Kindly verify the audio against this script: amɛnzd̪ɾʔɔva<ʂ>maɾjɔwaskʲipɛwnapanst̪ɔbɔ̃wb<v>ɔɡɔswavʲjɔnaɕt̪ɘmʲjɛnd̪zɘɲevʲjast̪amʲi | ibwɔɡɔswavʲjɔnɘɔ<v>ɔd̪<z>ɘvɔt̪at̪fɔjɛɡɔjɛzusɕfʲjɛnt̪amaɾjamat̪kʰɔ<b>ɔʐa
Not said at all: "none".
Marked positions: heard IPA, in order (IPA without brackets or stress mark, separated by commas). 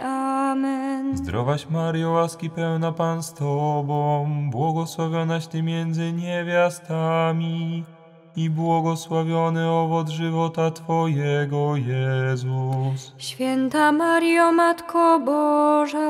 ɕ, w, v, ʐ, b